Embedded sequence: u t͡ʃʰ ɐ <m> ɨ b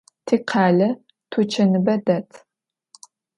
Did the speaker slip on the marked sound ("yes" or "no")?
yes